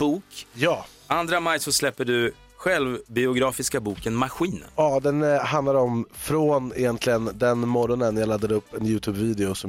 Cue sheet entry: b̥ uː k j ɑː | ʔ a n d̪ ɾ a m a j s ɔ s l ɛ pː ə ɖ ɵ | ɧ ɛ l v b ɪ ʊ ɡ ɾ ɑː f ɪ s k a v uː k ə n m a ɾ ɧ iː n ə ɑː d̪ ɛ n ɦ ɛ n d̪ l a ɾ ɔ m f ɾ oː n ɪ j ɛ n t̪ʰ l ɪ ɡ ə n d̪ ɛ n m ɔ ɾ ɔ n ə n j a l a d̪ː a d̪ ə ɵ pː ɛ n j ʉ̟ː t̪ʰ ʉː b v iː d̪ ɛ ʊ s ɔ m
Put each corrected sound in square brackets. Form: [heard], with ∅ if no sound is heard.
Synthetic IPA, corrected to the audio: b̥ uː k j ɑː | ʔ a n d̪ ɾ a m a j s ɔ s l ɛ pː ə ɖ ɵ | ɧ ɛ l v b ɪ ʊ ɡ ɾ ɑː f ɪ s k a [b] uː k ə n m a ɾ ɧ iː n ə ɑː d̪ ɛ n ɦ [a] n d̪ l a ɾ ɔ m f ɾ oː n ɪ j ɛ n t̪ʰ l ɪ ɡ ə n d̪ ɛ n m ɔ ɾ ɔ n ə n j a l a d̪ː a d̪ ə ɵ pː ɛ n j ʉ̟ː t̪ʰ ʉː b v iː d̪ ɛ ʊ s ɔ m